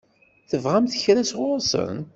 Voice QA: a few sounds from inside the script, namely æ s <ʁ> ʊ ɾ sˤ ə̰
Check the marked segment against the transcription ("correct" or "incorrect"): correct